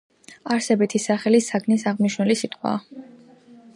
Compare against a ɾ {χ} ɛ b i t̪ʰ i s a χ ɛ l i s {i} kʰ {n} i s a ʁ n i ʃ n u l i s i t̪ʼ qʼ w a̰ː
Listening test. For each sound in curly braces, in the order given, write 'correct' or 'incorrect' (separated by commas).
incorrect, incorrect, correct